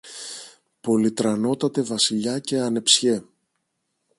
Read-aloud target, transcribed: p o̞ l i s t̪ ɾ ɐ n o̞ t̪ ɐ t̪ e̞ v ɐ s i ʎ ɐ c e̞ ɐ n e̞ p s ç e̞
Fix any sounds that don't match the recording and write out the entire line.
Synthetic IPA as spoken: p o̞ l i t̪ ɾ ɐ n o̞ t̪ ɐ t̪ e̞ v ɐ s i ʎ ɐ c e̞ ɐ n e̞ p s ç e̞